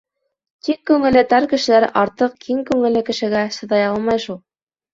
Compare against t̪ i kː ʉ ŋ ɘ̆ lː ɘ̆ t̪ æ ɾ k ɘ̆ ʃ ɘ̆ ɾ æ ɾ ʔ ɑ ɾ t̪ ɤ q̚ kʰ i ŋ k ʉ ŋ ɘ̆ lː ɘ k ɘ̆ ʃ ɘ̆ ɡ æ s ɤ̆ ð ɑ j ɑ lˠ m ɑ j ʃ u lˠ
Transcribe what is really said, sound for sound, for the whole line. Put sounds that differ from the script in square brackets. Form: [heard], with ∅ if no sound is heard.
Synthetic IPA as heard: t̪ i kː ʉ ŋ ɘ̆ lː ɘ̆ t̪ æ ɾ k ɘ̆ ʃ ɘ̆ [l] æ ɾ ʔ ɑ ɾ t̪ ɤ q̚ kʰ i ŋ k ʉ ŋ ɘ̆ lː ɘ k ɘ̆ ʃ ɘ̆ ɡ æ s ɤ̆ ð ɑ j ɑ lˠ m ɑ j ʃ u lˠ